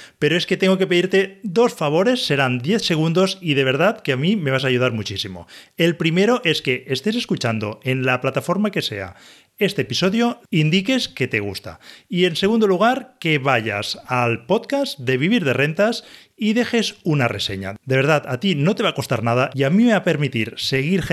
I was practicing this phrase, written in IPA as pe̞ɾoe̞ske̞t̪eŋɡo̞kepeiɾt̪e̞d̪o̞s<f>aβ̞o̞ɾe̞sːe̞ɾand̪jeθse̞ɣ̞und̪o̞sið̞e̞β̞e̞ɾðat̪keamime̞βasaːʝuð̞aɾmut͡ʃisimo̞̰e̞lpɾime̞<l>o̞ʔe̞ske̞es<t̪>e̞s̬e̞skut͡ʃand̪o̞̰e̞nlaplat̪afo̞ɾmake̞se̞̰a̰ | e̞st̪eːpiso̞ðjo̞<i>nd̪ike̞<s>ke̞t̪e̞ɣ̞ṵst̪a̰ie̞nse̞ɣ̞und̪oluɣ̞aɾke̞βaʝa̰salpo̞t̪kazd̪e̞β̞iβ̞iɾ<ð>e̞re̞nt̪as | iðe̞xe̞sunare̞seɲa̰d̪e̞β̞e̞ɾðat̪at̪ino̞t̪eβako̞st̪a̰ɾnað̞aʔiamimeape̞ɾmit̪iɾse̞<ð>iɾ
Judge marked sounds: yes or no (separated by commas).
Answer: yes, no, yes, yes, yes, yes, no